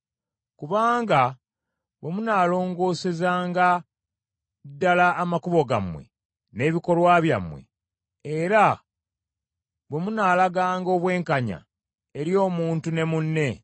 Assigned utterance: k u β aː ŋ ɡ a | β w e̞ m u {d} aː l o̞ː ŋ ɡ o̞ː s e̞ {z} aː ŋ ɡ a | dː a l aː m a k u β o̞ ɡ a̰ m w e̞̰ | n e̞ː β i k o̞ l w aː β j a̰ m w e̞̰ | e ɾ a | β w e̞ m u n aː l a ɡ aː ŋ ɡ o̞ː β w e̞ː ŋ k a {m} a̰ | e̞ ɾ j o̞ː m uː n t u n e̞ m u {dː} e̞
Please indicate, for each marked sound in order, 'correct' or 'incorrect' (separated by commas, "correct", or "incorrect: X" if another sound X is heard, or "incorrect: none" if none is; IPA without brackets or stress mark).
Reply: incorrect: n, correct, incorrect: ɲ, incorrect: nː